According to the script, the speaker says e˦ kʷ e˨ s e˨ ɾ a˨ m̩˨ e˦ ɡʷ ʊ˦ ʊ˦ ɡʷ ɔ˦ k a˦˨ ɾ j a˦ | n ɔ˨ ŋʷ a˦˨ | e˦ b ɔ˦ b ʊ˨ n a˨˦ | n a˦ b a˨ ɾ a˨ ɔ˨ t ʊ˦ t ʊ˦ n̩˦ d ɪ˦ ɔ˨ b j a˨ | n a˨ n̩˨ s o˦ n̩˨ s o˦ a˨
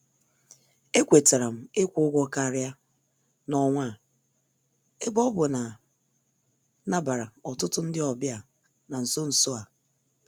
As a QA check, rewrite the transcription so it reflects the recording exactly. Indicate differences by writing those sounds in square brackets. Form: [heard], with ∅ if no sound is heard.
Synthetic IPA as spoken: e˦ kʷ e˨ [t] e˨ ɾ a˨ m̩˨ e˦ [kʷ] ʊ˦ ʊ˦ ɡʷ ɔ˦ k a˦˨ ɾ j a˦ | n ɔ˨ ŋʷ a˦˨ | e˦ b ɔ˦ b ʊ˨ n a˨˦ | n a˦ b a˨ ɾ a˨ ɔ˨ t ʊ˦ t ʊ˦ n̩˦ d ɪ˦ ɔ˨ b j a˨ | n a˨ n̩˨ s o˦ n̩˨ s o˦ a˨